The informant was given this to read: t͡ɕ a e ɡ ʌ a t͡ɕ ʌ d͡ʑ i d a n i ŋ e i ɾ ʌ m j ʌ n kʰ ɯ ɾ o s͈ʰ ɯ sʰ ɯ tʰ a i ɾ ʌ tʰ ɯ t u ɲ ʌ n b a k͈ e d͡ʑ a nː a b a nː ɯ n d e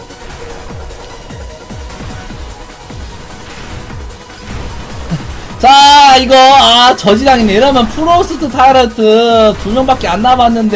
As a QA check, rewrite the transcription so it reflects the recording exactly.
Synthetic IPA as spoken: t͡ɕ a i ɡ ʌ a t͡ɕ ʌ d͡ʑ i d a ŋ i n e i ɾ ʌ m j ʌ n pʰ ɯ ɾ o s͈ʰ ɯ tʰ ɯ tʰ a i ɾ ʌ tʰ ɯ t u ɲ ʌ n b a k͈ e a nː a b a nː ɯ n d e